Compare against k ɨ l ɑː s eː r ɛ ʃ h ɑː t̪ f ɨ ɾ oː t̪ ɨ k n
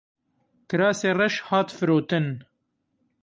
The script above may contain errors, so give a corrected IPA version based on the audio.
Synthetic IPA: k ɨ ɾ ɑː s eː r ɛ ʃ h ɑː t̪ f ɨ ɾ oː t̪ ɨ n